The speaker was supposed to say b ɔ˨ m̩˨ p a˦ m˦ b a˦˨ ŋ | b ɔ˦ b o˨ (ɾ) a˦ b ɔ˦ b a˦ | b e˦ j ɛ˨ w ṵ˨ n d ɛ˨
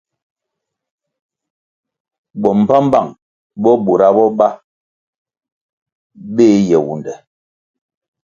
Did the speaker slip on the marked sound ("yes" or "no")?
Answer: no